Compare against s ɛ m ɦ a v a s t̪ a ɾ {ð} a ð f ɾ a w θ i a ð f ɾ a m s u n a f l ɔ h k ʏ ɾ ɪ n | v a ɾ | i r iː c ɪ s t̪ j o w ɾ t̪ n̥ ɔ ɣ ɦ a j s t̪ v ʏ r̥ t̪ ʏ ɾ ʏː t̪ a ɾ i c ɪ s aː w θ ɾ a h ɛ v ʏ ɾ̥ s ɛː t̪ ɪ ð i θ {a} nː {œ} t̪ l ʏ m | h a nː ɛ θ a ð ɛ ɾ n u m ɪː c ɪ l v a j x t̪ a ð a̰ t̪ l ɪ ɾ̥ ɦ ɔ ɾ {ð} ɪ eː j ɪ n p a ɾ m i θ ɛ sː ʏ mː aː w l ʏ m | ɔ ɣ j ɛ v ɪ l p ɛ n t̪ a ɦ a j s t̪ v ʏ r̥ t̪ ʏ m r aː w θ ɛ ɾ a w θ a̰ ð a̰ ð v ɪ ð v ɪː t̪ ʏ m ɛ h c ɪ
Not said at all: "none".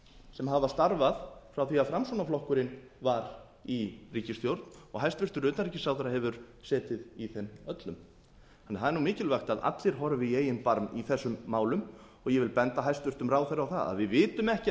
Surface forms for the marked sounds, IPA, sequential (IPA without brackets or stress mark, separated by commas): v, ɛ, œ, v